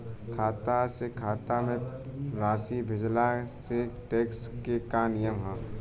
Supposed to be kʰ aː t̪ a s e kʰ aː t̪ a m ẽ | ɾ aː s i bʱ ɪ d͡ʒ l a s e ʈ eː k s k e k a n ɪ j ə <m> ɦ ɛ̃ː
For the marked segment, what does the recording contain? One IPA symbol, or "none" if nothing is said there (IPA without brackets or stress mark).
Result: m